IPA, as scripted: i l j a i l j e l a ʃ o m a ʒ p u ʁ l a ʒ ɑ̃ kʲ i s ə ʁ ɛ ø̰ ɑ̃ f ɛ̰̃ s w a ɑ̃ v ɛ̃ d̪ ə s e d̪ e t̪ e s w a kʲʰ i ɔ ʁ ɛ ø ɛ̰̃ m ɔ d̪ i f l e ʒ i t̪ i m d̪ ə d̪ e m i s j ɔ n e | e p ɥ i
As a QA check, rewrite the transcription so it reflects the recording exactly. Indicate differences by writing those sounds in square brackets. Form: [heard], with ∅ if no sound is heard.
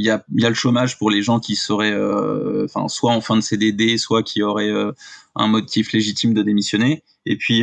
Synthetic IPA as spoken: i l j a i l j [a] l [ə] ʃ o m a ʒ p u ʁ l [e] ʒ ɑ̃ kʲ i s ə ʁ ɛ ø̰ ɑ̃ f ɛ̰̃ s w a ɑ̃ [f] ɛ̃ d̪ ə s e d̪ e [d̪] e s w a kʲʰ i ɔ ʁ ɛ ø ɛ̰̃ m ɔ [t̪] i f l e ʒ i t̪ i m d̪ ə d̪ e m i s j ɔ n e | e p ɥ i